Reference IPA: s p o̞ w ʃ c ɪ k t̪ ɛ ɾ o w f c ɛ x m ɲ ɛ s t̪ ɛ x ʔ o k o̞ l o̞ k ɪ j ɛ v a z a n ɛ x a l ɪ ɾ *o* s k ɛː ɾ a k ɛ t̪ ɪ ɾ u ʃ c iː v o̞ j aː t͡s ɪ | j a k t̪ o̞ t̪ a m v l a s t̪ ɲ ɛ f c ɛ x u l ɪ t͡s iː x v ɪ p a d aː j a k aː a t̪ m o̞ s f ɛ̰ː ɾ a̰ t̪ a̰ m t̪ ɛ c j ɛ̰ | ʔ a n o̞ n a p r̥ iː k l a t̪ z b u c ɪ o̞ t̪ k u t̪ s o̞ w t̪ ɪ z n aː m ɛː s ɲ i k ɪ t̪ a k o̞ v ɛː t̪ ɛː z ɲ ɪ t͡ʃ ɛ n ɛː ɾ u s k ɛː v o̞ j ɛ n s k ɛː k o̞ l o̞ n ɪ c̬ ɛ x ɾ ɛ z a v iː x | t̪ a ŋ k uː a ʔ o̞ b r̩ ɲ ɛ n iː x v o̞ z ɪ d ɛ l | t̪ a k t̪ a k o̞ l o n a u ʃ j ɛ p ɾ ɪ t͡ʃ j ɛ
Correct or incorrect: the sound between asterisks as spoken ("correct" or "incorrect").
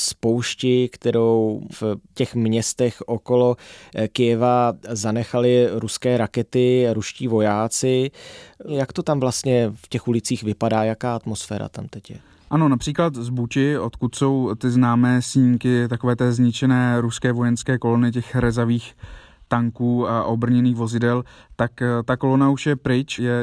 incorrect